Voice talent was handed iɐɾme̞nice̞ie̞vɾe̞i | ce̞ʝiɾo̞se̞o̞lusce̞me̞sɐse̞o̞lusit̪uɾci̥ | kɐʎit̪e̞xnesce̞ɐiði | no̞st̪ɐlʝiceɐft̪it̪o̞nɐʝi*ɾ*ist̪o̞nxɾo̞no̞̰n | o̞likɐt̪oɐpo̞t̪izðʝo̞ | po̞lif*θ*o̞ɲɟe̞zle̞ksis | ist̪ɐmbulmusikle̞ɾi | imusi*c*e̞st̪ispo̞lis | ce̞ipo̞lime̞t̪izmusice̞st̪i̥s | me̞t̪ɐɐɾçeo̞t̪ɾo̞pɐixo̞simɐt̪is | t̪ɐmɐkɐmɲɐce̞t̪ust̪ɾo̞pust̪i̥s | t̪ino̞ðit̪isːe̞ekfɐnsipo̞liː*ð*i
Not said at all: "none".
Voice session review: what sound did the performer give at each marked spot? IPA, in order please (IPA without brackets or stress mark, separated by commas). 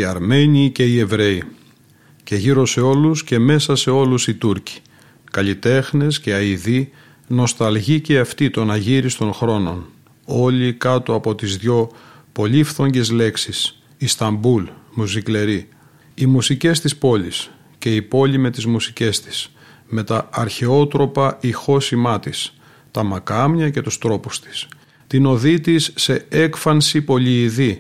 ɾ, θ, c, ð